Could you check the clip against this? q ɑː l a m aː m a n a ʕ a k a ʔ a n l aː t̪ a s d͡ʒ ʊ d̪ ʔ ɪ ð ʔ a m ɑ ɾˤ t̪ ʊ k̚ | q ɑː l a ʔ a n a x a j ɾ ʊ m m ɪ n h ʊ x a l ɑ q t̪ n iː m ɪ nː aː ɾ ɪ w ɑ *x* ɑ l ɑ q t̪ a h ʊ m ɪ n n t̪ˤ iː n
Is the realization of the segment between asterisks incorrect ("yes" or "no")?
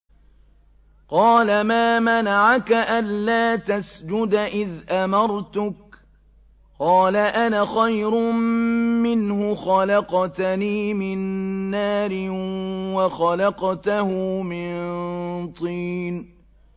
no